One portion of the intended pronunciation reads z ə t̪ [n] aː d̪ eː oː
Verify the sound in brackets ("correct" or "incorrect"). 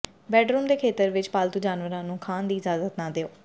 correct